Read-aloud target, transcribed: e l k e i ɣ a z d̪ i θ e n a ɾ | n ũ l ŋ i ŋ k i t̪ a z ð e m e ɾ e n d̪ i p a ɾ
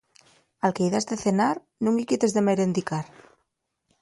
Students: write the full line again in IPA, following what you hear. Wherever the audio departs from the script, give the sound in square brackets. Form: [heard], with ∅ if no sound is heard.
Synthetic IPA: [a] l k e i [ð] a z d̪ [e] θ e n a ɾ | n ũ [∅] ŋ i [∅] k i t̪ [e] z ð e m e ɾ e n d̪ i [k] a ɾ